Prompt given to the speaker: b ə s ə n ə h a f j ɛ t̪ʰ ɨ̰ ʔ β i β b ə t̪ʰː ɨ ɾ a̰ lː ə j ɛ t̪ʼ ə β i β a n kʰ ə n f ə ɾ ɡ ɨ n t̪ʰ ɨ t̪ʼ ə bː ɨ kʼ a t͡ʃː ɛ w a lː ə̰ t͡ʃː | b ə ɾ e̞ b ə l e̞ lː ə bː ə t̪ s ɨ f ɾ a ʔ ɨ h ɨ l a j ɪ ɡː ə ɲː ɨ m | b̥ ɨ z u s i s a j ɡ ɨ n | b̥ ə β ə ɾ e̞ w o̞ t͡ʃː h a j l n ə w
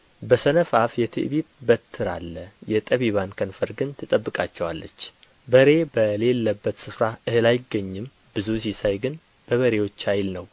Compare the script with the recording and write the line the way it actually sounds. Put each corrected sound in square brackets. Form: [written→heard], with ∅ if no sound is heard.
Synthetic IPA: b ə s ə n ə [h→f] a f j ɛ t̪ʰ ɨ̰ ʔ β i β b ə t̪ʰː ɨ ɾ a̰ lː ə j ɛ t̪ʼ ə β i β a n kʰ ə n f ə ɾ ɡ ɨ n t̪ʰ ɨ t̪ʼ ə bː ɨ kʼ a t͡ʃː ɛ w a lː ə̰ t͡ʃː | b ə ɾ e̞ b ə l e̞ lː ə bː ə t̪ s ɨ f ɾ a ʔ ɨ h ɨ l a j ɪ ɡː ə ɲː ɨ m | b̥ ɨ z u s i s a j ɡ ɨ n | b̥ ə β ə ɾ e̞ w o̞ t͡ʃː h a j l n ə w